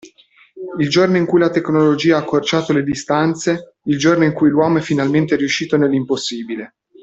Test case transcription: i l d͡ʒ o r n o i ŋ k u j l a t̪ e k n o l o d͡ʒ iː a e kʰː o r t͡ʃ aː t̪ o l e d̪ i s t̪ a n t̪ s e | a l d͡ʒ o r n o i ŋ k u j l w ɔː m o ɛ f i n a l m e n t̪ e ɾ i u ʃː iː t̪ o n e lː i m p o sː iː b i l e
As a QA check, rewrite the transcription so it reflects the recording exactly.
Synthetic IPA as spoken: i l d͡ʒ o r n o i ŋ k u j l a t̪ e k n o l o d͡ʒ iː a a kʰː o r t͡ʃ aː t̪ o l e d̪ i s t̪ a n t̪ s e | i l d͡ʒ o r n o i ŋ k u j l w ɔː m o ɛ f i n a l m e n t̪ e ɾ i u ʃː iː t̪ o n e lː i m p o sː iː b i l e